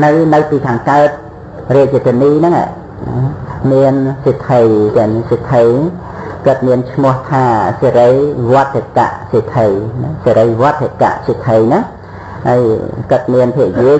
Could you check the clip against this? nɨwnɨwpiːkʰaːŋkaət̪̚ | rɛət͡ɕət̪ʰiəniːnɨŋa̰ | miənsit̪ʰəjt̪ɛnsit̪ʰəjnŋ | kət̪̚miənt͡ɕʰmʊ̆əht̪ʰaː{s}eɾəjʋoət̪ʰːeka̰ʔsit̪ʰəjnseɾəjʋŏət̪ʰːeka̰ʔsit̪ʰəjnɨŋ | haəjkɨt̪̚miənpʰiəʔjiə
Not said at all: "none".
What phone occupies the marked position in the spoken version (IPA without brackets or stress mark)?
s